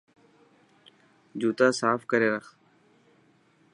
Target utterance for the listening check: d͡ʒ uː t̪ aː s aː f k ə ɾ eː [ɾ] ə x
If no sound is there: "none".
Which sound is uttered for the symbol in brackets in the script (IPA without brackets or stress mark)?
ɾ